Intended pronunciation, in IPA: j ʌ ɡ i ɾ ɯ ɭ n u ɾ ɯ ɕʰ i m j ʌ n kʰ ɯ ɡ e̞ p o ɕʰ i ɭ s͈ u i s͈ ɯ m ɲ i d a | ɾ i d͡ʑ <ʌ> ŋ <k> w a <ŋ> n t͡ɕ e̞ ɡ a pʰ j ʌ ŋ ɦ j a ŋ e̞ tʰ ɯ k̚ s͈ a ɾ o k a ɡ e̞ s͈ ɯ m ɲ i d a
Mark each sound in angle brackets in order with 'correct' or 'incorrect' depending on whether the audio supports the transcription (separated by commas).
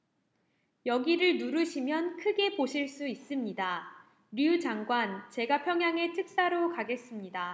incorrect, incorrect, incorrect